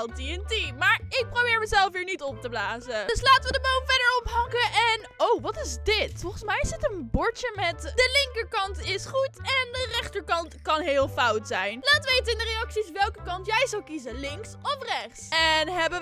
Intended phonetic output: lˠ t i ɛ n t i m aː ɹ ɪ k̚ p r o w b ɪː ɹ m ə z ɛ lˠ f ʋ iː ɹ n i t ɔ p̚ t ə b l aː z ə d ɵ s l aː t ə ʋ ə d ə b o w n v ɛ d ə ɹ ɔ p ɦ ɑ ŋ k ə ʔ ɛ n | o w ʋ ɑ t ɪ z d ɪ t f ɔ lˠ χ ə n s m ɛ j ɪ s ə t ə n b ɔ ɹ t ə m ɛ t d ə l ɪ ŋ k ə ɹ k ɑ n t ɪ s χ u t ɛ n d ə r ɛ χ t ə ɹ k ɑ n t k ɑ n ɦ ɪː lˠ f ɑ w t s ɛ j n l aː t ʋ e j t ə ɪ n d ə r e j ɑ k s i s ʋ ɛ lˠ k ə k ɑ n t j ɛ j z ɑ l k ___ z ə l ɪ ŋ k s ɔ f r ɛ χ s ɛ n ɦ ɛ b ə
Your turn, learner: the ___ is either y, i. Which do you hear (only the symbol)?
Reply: i